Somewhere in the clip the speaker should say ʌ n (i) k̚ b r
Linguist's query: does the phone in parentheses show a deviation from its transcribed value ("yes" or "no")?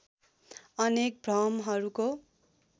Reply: yes